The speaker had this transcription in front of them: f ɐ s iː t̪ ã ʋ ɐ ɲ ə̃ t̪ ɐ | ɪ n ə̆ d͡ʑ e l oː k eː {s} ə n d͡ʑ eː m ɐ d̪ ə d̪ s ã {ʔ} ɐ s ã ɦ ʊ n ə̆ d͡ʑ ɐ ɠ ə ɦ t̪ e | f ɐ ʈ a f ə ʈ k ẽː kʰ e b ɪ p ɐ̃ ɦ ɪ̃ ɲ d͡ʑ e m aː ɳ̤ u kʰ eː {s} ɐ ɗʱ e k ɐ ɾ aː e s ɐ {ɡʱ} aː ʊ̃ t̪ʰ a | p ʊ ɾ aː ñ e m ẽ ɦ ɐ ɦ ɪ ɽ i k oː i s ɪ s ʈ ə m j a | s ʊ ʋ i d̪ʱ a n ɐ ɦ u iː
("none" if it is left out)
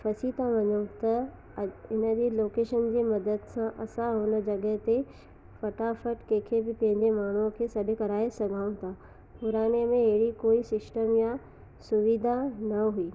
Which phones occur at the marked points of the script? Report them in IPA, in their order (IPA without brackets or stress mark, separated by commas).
ʃ, ʔ, s, ɡʱ